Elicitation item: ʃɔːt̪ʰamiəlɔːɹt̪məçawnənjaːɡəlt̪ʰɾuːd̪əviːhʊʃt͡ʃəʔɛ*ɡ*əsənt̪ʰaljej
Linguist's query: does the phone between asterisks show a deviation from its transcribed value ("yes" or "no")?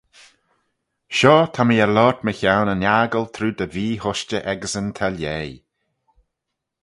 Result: no